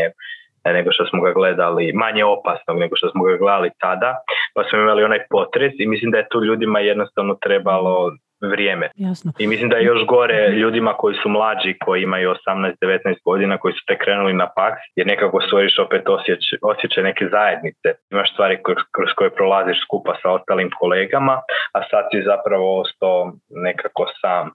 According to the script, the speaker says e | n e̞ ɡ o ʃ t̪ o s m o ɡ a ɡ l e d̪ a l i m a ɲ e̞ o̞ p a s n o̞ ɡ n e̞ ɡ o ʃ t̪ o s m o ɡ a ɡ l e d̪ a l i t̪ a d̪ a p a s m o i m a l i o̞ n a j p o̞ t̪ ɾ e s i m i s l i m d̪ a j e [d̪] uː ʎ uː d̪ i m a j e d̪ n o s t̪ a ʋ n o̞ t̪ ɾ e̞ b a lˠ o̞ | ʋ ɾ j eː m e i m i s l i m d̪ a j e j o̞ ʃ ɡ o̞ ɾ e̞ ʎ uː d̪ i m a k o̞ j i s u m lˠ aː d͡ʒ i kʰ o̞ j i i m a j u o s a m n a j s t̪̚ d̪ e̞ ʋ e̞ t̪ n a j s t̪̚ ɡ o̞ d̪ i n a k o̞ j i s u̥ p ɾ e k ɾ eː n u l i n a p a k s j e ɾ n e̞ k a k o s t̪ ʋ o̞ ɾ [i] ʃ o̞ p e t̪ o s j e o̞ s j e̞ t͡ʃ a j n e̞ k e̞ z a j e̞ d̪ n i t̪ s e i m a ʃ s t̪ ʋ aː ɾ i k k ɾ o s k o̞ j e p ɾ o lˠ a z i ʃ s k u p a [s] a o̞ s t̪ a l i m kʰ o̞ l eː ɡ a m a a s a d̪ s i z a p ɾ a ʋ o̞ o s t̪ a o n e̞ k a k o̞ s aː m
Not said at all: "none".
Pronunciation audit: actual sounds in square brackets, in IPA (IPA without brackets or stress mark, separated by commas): t̪, i, s